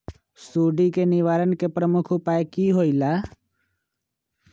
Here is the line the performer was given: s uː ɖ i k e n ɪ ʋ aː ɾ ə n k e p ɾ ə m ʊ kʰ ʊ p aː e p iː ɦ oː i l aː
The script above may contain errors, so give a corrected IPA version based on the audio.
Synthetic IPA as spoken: s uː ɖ i k e n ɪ ʋ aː ɾ ə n k e p ɾ ə m ʊ kʰ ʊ p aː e k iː ɦ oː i l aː